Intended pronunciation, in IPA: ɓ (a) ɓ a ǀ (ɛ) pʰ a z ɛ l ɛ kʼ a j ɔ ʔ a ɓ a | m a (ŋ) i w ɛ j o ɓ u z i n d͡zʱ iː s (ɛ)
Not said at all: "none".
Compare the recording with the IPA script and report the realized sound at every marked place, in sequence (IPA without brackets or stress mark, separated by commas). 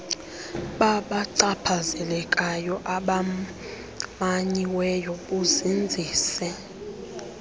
a, a, ɲ, ɛ